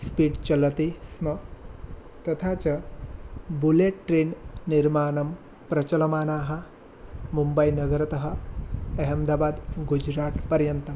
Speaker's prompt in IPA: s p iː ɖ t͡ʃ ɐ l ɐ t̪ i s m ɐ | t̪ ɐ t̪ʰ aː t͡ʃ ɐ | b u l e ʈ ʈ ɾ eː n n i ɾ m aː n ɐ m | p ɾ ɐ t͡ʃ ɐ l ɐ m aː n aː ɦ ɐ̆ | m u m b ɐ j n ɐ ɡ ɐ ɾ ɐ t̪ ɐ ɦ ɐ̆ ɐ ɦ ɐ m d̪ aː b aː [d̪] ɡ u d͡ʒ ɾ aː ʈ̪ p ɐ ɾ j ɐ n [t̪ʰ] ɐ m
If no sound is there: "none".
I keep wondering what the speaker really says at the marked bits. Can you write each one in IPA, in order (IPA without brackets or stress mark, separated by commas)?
d̪, t̪